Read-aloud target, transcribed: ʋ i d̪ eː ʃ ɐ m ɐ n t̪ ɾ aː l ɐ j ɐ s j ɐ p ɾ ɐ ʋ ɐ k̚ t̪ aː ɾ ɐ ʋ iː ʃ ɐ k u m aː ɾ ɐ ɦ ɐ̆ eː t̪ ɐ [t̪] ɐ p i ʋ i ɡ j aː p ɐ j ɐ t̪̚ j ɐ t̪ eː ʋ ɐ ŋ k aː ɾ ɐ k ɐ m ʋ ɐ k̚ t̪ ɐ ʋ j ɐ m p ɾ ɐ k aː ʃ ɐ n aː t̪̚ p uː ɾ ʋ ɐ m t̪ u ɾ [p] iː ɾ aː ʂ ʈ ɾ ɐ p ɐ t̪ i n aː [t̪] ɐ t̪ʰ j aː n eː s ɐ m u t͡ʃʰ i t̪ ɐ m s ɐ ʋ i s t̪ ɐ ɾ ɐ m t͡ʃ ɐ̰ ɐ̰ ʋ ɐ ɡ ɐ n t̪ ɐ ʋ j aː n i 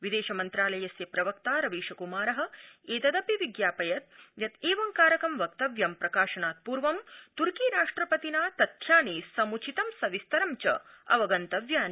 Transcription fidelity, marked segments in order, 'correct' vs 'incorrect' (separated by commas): incorrect, incorrect, correct